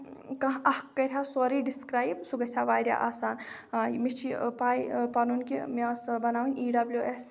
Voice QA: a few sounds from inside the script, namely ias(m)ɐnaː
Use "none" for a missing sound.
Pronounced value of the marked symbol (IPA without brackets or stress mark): b